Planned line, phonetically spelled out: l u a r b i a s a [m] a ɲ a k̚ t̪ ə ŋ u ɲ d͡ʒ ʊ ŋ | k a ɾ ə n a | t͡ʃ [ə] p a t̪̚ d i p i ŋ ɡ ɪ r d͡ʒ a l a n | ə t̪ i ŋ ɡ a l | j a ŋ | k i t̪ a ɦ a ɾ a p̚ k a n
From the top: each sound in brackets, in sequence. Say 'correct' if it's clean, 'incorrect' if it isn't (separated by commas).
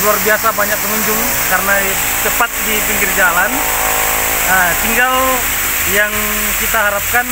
incorrect, correct